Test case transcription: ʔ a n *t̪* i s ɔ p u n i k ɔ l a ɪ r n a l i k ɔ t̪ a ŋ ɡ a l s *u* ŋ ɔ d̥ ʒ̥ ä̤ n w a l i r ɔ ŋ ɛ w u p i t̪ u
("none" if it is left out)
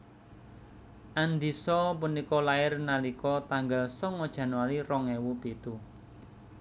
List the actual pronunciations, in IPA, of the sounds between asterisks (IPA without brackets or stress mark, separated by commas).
d̪, ɔ